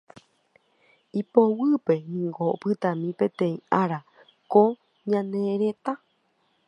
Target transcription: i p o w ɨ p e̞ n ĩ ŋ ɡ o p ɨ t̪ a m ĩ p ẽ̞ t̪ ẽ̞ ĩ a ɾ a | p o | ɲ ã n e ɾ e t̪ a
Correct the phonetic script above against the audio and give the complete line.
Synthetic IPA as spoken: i p o w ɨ p e̞ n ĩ ŋ ɡ o p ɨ t̪ a m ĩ p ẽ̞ t̪ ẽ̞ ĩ a ɾ a | k o | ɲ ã n e ɾ e t̪ a